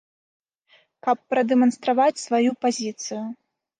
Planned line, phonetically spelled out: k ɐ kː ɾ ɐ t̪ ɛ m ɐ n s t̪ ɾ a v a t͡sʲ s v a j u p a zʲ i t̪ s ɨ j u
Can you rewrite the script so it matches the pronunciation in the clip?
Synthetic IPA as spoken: k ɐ pː ɾ ɐ d̪ ɛ m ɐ n s t̪ ɾ a v a t͡sʲ s v a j u p a zʲ i t̪ s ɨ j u